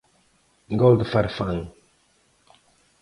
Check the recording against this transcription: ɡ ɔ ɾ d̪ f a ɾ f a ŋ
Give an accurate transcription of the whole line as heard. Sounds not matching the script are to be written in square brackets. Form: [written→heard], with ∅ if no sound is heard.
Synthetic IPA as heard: ɡ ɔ [ɾ→l] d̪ f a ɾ f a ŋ